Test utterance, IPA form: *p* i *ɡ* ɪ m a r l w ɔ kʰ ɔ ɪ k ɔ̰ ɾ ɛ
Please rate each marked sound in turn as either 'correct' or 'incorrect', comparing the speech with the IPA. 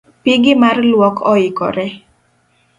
correct, correct

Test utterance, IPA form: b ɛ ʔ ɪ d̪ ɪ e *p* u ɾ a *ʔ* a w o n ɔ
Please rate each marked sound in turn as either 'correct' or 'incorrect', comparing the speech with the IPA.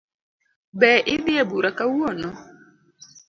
incorrect: b, incorrect: k

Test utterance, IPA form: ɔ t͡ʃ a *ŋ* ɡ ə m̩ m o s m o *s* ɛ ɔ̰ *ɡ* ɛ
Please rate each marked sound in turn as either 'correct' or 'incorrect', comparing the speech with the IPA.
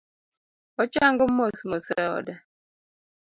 correct, correct, incorrect: d

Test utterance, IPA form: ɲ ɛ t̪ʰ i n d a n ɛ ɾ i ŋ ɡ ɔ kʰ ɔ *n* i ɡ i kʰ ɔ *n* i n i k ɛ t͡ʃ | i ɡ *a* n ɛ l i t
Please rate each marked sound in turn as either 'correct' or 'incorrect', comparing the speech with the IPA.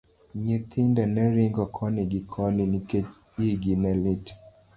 correct, correct, incorrect: i

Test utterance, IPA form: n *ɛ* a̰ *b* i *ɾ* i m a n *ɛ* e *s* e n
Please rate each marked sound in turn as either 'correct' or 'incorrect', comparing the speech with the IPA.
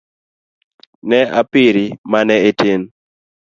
correct, incorrect: p, correct, correct, incorrect: t

